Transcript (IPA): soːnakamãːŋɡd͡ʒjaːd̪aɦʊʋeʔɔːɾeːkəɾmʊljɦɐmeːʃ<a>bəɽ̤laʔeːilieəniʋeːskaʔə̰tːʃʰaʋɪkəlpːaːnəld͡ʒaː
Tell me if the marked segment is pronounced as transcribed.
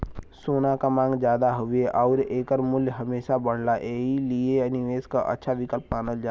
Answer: yes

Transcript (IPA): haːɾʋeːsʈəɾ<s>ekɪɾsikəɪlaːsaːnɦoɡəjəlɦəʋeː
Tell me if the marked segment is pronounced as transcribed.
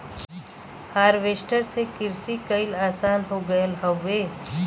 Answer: yes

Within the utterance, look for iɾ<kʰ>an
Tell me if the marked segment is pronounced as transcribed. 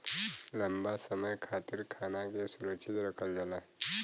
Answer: yes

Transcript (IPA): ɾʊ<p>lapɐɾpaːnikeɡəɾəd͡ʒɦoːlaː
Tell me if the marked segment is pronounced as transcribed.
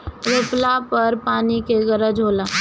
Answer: yes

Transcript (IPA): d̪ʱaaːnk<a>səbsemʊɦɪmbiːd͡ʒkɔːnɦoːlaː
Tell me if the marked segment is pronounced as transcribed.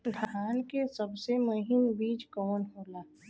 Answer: no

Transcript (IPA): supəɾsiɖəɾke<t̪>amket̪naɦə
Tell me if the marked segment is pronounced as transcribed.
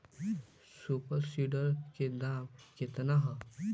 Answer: no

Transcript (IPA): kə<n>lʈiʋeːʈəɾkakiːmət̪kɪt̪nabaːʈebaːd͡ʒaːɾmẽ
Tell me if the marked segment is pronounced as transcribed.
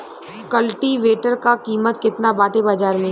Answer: no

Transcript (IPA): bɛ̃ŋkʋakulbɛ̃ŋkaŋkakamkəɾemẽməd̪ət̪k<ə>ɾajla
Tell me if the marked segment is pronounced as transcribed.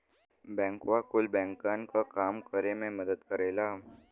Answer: yes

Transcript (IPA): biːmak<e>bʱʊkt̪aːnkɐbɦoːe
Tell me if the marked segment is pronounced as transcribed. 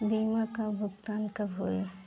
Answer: no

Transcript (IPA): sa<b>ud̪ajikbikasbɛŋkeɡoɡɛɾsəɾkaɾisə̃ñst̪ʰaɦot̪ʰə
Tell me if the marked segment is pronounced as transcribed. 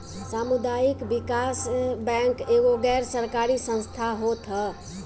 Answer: no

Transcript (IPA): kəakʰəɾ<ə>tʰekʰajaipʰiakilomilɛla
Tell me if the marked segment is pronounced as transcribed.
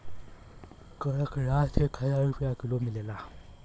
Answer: no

